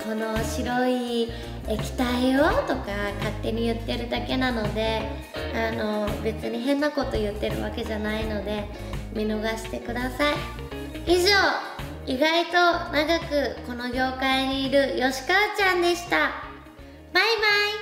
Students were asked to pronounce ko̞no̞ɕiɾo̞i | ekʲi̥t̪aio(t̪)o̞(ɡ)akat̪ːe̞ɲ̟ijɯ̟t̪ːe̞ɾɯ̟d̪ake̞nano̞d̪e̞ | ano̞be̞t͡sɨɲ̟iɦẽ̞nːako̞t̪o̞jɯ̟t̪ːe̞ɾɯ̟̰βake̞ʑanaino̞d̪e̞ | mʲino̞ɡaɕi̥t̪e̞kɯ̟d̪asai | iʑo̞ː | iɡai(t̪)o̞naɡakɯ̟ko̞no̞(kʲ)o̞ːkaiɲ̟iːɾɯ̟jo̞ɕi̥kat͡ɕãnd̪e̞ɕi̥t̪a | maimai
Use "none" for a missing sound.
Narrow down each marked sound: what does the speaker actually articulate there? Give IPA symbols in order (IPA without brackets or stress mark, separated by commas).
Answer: t̪, k, t̪, ɡʲ